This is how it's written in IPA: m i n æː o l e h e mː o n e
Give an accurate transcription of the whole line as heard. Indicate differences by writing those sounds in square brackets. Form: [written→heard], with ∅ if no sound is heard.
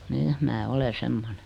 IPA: [m→n] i [n→m] æː o l e [h→s] e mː o n e